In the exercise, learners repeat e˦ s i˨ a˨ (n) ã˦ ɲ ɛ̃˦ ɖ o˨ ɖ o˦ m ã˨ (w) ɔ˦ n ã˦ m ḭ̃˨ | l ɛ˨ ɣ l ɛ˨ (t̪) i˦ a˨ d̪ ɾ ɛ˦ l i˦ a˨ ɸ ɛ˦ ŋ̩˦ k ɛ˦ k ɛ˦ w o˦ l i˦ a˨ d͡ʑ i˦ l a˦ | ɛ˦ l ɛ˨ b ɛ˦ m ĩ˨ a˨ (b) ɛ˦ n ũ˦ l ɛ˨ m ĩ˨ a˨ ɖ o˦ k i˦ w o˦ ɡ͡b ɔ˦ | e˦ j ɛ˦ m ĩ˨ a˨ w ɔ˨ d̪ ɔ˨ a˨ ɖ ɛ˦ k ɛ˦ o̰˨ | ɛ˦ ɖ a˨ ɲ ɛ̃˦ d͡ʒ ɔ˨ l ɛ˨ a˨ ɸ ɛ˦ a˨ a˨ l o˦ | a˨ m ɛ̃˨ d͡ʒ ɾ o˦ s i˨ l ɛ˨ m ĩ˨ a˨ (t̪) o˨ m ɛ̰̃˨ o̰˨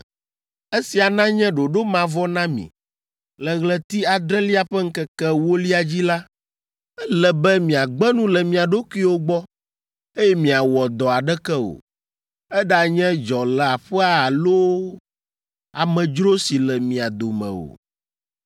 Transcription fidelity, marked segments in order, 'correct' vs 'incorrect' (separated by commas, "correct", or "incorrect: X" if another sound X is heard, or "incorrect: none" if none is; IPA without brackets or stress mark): correct, incorrect: v, correct, incorrect: ɡ͡b, incorrect: d̪